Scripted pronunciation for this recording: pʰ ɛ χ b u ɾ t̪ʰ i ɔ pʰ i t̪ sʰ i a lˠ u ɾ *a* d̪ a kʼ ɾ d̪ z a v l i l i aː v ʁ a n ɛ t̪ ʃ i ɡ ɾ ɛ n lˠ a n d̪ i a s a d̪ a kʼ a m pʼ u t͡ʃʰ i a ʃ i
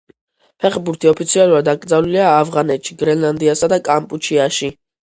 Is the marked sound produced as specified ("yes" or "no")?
yes